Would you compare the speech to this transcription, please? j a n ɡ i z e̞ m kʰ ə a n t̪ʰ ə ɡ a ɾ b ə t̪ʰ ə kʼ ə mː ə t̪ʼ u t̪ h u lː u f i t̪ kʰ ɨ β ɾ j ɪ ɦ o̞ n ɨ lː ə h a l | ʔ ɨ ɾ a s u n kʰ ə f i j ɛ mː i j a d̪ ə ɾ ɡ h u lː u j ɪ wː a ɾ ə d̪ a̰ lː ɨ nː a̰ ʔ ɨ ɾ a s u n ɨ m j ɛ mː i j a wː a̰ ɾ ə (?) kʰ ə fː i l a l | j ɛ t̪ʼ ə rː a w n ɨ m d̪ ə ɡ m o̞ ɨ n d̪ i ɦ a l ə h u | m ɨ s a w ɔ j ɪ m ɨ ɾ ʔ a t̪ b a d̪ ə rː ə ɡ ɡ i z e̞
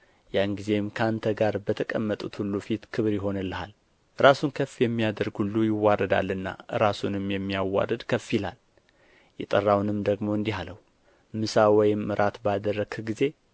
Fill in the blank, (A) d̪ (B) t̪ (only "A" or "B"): A